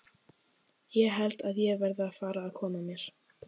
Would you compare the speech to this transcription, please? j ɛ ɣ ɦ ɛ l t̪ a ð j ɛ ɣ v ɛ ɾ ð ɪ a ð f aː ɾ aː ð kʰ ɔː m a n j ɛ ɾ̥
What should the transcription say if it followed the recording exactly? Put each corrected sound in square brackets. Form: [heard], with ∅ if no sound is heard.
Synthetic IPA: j ɛ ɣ ɦ ɛ l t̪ a ð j ɛ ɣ v ɛ ɾ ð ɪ a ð f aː ɾ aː ð kʰ ɔː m a [m] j ɛ ɾ̥